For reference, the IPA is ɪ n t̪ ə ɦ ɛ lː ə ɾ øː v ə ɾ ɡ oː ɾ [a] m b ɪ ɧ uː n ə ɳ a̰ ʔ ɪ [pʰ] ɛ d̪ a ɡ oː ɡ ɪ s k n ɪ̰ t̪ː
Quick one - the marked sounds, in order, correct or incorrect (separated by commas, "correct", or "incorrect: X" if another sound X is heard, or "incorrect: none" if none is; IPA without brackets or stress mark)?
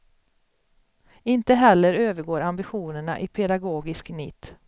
correct, correct